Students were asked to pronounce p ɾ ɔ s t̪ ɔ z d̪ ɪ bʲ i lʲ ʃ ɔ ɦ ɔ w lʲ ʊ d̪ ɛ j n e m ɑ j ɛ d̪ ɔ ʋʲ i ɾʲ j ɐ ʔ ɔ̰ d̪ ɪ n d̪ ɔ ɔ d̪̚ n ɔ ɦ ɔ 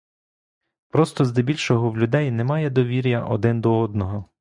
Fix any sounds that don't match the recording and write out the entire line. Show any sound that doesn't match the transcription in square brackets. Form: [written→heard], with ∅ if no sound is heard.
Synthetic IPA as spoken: p ɾ ɔ s t̪ ɔ z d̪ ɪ bʲ i lʲ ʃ ɔ ɦ ɔ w lʲ ʊ d̪ ɛ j n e m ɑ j ɛ d̪ ɔ ʋʲ i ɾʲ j ɐ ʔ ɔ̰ d̪ ɪ n d̪ ɔ ɔ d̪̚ n ɔ ɦ ɔ